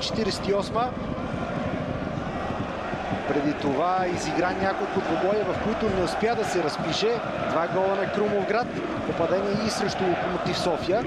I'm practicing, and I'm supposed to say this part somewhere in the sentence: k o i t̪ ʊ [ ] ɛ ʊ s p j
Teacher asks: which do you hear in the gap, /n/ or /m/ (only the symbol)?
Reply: n